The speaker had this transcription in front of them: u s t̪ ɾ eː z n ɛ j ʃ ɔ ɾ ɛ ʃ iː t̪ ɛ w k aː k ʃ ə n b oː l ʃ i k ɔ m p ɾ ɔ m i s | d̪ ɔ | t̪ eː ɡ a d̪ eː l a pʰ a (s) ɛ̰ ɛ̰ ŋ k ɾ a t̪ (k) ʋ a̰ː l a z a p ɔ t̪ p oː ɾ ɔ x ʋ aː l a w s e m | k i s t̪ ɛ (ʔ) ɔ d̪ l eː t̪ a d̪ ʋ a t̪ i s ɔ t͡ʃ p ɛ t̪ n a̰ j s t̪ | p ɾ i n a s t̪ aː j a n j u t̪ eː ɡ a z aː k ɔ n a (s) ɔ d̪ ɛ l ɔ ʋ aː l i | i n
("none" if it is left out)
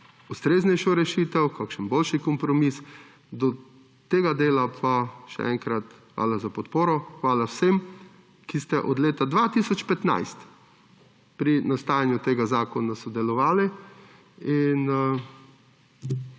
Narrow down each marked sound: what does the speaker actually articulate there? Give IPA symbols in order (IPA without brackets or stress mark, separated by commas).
ʃ, x, ʔ, s